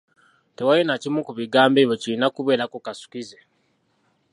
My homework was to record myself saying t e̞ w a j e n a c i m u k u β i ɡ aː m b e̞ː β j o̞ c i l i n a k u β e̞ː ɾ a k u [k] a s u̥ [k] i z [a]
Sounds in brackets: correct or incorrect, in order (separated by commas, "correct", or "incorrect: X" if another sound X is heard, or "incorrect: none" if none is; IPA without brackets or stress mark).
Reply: correct, correct, incorrect: e